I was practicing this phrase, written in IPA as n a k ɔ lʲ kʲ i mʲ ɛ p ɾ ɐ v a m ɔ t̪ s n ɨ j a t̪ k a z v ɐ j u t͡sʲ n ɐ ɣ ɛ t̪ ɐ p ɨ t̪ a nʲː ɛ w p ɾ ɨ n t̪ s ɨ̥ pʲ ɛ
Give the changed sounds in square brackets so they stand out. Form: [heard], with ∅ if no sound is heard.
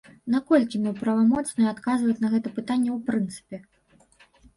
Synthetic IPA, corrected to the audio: n a k ɔ lʲ kʲ i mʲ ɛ p ɾ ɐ v a m ɔ t̪ s n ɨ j a t̪ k a z v ɐ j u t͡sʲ n ɐ ɣ ɛ t̪ ɐ p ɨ t̪ a nʲː ɛ w p ɾ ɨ n t̪ s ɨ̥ pʲ ɛ